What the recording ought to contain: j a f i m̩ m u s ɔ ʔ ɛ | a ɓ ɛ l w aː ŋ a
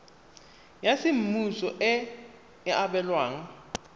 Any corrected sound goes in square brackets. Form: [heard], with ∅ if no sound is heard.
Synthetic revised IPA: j a [s] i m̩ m u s ɔ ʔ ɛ | a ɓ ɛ l w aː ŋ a